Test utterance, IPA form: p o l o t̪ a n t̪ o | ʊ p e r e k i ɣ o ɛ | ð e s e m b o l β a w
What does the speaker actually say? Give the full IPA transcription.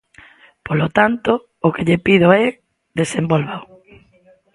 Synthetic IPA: p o l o t̪ a n t̪ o | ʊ k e ʎ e p i ð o ɛ | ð e s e m b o l β a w